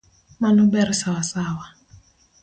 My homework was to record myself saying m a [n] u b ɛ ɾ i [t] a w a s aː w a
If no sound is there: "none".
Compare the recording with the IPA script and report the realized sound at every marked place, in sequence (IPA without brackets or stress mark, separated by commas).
n, s